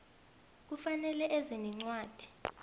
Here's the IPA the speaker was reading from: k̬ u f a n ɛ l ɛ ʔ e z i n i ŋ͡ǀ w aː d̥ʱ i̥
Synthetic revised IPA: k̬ u f a n ɛ l ɛ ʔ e z i n i ŋ͡ǀ w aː d̥ʱ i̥